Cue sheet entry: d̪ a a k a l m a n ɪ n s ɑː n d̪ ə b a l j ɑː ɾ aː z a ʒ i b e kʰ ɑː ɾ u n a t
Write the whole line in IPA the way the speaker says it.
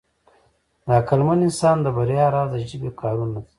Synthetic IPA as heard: d̪ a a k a l m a n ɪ n s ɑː n d̪ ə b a ɾ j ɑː ɾ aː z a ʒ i b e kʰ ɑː ɾ u n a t